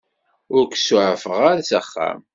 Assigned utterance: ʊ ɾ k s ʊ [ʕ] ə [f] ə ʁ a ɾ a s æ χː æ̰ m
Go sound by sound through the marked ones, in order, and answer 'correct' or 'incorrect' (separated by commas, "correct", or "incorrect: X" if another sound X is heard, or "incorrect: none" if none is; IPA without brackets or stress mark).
correct, correct